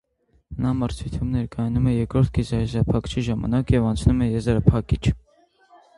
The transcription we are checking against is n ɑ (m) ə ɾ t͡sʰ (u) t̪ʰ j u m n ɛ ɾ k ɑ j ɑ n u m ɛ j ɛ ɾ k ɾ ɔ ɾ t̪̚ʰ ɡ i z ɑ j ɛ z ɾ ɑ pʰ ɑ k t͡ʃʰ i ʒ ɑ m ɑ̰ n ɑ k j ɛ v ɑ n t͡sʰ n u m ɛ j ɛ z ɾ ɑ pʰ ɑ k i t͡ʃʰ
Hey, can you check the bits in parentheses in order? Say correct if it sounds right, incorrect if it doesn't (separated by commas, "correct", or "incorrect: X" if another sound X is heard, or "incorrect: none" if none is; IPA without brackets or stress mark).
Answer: correct, correct